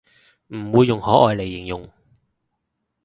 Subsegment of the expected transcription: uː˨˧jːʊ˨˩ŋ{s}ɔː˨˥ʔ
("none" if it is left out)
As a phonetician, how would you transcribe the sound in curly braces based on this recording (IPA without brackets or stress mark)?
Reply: h